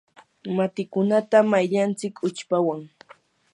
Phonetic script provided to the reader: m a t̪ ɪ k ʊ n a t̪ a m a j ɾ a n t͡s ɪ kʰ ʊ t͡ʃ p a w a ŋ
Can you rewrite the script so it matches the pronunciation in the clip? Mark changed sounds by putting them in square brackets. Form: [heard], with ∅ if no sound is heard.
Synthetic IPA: m a t̪ ɪ k ʊ n a t̪ a m a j [ʎ] a n t͡s ɪ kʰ ʊ t͡ʃ p a w a ŋ